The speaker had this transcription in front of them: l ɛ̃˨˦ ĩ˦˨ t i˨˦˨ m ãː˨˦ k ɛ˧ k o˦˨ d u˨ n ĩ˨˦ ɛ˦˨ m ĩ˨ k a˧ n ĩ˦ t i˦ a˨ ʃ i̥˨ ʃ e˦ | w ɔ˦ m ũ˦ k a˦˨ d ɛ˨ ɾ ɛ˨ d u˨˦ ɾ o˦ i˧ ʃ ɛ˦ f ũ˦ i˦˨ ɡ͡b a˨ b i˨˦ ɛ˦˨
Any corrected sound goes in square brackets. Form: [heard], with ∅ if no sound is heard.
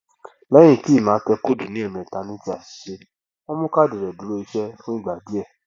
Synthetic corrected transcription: l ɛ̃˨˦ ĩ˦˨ t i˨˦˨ m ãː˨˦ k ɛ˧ k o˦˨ d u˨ n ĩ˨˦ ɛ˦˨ m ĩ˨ [t] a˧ n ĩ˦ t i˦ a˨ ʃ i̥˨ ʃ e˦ | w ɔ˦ m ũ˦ k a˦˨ d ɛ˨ ɾ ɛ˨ d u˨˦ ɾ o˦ i˧ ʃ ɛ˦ f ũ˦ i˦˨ ɡ͡b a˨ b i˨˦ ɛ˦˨